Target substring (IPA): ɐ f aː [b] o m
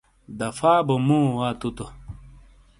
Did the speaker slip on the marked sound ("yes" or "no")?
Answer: no